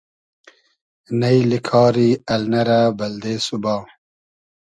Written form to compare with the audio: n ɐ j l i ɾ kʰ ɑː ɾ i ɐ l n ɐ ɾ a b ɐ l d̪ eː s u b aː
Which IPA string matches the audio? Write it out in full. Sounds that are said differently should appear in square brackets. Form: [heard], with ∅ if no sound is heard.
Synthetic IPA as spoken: n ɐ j l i [∅] kʰ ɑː ɾ i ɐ l n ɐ ɾ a b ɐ l d̪ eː s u b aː